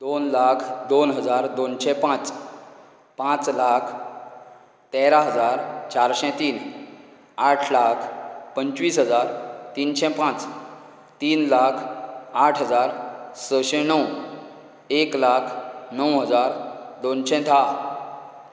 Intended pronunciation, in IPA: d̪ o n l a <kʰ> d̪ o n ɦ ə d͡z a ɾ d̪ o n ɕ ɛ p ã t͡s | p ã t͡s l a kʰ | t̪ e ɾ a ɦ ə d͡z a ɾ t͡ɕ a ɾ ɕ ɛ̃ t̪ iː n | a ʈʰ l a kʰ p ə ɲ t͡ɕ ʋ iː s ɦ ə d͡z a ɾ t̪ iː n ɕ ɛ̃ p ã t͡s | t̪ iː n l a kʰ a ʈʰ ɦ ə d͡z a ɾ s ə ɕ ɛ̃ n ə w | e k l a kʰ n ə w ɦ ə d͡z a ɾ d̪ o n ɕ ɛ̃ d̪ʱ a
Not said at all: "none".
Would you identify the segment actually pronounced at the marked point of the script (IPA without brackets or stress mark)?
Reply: kʰ